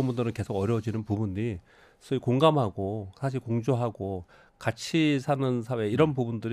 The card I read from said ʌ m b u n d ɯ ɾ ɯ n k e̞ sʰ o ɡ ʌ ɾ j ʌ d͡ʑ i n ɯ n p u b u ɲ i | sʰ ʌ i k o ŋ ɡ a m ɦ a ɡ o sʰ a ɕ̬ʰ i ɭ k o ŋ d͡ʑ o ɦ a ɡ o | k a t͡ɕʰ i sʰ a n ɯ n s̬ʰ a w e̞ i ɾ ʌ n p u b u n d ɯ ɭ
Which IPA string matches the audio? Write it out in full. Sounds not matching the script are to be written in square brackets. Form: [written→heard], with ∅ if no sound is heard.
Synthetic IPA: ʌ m b u n d ɯ ɾ ɯ n k e̞ sʰ o ɡ ʌ ɾ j ʌ d͡ʑ i n ɯ n p u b u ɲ i | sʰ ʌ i k o ŋ ɡ a m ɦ a ɡ o sʰ a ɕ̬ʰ i ɭ k o ŋ d͡ʑ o ɦ a ɡ o | k a t͡ɕʰ i sʰ a n ɯ n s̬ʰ a w e̞ i ɾ ʌ n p u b u n d ɯ [ɭ→ɾ]